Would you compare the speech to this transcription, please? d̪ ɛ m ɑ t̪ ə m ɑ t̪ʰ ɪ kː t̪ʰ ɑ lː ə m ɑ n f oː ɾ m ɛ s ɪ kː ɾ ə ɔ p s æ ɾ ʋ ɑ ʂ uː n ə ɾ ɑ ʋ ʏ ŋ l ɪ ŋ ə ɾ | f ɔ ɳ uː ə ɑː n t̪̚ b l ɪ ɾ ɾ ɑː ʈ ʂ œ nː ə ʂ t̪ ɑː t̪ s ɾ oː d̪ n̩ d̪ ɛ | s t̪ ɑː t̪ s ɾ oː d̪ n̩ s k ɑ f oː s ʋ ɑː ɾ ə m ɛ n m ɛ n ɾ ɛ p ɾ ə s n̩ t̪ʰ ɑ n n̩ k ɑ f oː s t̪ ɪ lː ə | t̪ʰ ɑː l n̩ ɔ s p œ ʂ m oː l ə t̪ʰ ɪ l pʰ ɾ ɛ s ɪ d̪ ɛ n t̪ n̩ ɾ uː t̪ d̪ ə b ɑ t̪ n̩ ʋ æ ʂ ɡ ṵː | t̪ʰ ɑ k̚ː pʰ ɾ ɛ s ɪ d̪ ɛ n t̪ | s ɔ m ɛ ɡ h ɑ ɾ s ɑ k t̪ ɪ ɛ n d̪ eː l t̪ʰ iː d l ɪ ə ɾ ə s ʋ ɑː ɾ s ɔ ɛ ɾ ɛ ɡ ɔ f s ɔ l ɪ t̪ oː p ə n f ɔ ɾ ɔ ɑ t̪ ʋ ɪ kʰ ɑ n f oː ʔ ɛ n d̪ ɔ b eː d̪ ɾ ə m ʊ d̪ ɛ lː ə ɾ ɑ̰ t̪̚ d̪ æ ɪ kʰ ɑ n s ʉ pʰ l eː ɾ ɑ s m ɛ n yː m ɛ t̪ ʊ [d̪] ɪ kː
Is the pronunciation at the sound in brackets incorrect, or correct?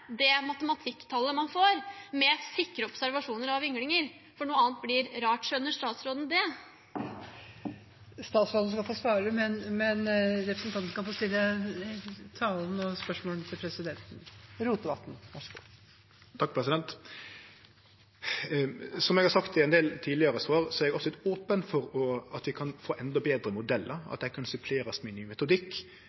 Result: correct